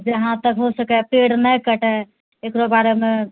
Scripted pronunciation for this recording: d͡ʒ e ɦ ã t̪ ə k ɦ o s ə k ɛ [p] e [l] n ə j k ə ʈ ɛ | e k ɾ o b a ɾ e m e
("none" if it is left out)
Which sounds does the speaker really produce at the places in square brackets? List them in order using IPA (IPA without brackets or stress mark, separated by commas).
p, ɽ